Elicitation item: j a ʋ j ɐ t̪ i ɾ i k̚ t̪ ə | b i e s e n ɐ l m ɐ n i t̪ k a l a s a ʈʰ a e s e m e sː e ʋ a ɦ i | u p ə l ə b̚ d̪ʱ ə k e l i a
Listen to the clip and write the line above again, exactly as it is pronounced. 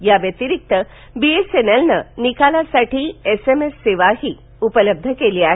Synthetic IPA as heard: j a ʋ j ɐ t̪ i ɾ i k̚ t̪ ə | b i e s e n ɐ l n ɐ n i k a l a s a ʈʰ i e s e m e sː e ʋ a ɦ i | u p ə l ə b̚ d̪ʱ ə k e l i a